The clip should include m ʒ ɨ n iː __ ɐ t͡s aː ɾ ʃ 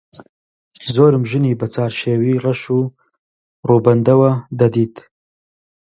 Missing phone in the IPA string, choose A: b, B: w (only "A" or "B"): A